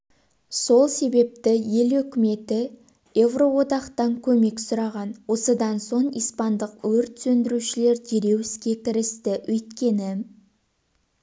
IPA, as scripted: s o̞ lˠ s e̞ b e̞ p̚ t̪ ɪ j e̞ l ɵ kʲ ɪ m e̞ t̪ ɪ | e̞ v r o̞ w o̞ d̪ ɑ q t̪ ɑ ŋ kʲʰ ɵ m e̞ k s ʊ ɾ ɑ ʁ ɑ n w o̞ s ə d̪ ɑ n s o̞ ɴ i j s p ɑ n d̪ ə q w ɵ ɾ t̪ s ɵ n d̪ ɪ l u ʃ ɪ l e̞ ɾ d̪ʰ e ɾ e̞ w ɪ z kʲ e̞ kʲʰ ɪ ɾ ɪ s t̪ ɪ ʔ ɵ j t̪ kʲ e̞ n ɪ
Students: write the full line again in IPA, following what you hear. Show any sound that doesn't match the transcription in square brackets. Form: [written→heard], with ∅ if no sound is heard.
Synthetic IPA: s o̞ lˠ s e̞ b e̞ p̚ t̪ ɪ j e̞ l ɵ kʲ ɪ m e̞ t̪ ɪ | e̞ v r o̞ w o̞ d̪ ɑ q t̪ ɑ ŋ kʲʰ ɵ m e̞ k s ʊ ɾ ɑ ʁ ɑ n w o̞ s ə d̪ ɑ n s o̞ ɴ i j s p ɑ n d̪ ə q w ɵ ɾ t̪ s ɵ n d̪ ɪ [l→ɾ] u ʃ ɪ l e̞ ɾ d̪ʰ e ɾ e̞ w ɪ [z→s] kʲ e̞ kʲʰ ɪ ɾ ɪ s t̪ ɪ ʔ ɵ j t̪ kʲ e̞ n ɪ

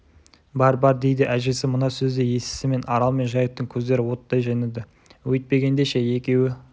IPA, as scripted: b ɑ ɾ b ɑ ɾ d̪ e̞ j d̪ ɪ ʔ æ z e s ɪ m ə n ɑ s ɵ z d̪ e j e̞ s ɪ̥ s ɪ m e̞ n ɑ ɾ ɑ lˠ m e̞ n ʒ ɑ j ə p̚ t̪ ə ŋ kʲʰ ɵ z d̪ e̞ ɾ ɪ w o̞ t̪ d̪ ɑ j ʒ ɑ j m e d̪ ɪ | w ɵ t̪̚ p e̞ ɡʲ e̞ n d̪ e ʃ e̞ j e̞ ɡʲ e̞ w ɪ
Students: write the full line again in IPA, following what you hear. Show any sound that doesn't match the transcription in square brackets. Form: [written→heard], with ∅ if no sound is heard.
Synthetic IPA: b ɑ ɾ b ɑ ɾ d̪ e̞ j d̪ ɪ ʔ æ [z→ʒ] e s ɪ m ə n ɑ s ɵ z d̪ e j e̞ s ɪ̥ s ɪ m e̞ n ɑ ɾ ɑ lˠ m e̞ n ʒ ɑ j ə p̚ t̪ ə ŋ kʲʰ ɵ z d̪ e̞ ɾ ɪ w o̞ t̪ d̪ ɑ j ʒ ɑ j [m→n] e d̪ ɪ | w ɵ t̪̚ p e̞ ɡʲ e̞ n d̪ e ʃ e̞ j e̞ [ɡʲ→kʲ] e̞ w ɪ

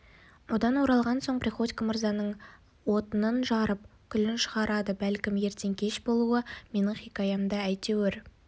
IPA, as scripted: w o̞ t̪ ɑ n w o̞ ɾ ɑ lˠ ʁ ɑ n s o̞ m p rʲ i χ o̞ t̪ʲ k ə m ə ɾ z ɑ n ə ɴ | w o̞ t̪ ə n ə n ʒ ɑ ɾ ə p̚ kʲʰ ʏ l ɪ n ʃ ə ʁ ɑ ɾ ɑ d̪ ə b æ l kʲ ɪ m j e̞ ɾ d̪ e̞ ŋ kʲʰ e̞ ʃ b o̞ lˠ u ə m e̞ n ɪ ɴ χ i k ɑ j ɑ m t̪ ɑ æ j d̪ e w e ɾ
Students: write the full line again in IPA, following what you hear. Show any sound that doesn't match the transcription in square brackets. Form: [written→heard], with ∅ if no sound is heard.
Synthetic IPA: w o̞ [t̪→d̪] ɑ n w o̞ ɾ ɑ lˠ ʁ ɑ n s o̞ [m→ɴ] p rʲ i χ o̞ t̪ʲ k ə m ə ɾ z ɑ n ə ɴ | w o̞ t̪ ə n ə n ʒ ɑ ɾ ə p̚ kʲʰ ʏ l ɪ n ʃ ə ʁ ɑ ɾ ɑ d̪ ə b æ l kʲ ɪ m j e̞ ɾ [d̪→t̪] e̞ ŋ kʲʰ e̞ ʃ b o̞ lˠ u ə m e̞ n ɪ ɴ χ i k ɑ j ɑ m [t̪→d̪] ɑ æ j [d̪→t̪] e w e ɾ

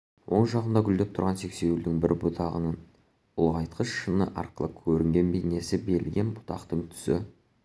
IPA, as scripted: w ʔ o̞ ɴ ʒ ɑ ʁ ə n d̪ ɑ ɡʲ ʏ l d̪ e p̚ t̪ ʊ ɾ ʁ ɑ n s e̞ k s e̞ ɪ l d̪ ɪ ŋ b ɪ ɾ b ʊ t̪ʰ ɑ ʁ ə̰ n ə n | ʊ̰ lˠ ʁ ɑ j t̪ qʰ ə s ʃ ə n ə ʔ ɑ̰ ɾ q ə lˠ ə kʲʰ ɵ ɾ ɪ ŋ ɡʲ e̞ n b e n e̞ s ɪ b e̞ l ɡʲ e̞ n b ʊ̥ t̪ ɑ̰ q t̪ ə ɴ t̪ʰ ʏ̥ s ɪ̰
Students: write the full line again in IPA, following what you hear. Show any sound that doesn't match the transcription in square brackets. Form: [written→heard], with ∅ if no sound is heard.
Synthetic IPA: w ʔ o̞ ɴ ʒ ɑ ʁ ə n d̪ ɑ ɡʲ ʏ l d̪ e p̚ [t̪→t̪ʰ] ʊ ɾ ʁ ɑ n s e̞ k s e̞ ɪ l d̪ ɪ ŋ b ɪ ɾ b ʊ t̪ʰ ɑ ʁ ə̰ n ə n | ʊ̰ lˠ ʁ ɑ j t̪ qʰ ə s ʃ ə n ə ʔ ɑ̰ ɾ q ə lˠ ə kʲʰ ɵ ɾ ɪ ŋ ɡʲ e̞ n b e n e̞ s ɪ b e̞ l ɡʲ e̞ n b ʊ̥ t̪ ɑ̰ q t̪ ə ɴ t̪ʰ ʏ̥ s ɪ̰

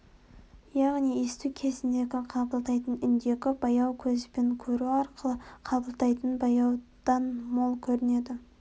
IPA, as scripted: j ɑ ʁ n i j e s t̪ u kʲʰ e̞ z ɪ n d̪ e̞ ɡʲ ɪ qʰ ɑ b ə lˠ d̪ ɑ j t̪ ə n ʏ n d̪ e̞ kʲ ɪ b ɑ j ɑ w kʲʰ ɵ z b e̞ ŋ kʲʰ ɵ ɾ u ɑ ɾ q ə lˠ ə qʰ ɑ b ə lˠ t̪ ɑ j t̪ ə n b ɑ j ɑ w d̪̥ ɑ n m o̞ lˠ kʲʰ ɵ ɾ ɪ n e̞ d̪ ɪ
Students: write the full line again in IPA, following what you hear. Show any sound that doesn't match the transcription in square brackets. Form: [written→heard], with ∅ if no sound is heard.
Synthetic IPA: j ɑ ʁ n i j e s t̪ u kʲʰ e̞ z ɪ n d̪ e̞ ɡʲ ɪ qʰ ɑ b ə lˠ [d̪→t̪] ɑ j t̪ ə n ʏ n d̪ e̞ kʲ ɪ b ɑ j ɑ w kʲʰ ɵ z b e̞ ŋ kʲʰ ɵ ɾ u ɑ ɾ q ə lˠ ə qʰ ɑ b ə lˠ t̪ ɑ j t̪ ə n b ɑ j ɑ w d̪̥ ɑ n m o̞ lˠ kʲʰ ɵ ɾ ɪ n e̞ d̪ ɪ

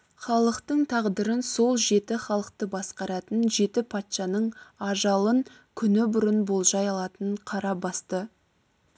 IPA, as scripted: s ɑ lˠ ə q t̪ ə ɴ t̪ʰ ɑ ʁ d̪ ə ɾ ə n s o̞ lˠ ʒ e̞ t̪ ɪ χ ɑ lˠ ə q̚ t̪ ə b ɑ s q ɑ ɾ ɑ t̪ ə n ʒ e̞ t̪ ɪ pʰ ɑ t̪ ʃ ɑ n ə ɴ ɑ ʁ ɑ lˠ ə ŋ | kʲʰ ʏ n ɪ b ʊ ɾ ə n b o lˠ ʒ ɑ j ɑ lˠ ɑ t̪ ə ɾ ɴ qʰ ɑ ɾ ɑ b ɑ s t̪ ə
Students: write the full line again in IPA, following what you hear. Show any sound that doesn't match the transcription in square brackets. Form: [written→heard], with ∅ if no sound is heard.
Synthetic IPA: [s→χ] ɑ lˠ ə q t̪ ə ɴ t̪ʰ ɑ ʁ d̪ ə ɾ ə n s o̞ lˠ ʒ e̞ t̪ ɪ χ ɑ lˠ ə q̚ t̪ ə b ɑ s q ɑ ɾ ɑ t̪ ə n ʒ e̞ t̪ ɪ pʰ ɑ t̪ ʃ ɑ n ə ɴ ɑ [ʁ→ʒ] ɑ lˠ ə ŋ | kʲʰ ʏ n ɪ b ʊ ɾ ə n b o lˠ ʒ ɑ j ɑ lˠ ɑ t̪ ə [ɾ→∅] ɴ qʰ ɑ ɾ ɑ b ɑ s t̪ ə

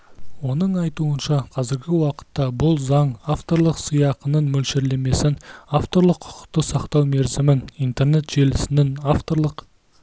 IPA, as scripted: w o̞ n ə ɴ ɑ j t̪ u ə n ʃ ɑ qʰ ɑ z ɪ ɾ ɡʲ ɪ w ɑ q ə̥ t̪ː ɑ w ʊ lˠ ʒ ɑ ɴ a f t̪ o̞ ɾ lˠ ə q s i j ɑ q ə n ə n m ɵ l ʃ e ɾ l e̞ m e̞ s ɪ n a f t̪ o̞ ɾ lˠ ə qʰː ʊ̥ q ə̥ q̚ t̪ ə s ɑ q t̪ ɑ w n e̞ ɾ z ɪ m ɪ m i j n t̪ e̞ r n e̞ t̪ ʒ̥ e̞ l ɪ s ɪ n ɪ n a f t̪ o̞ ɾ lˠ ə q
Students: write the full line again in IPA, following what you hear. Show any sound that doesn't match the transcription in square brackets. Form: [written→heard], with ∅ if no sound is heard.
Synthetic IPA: w o̞ n ə ɴ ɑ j t̪ u ə n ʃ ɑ qʰ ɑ z ɪ ɾ ɡʲ ɪ w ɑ q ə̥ t̪ː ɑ [w→b] ʊ lˠ [ʒ→z] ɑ ɴ a f t̪ o̞ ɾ lˠ ə q s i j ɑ q ə n ə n m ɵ l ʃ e ɾ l e̞ m e̞ s ɪ n a f t̪ o̞ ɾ lˠ ə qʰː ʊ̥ q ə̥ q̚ t̪ ə s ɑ q t̪ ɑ w [n→m] e̞ ɾ z ɪ m ɪ [m→n] i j n t̪ e̞ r n e̞ t̪ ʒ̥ e̞ l ɪ s ɪ n ɪ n a f t̪ o̞ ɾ lˠ ə q

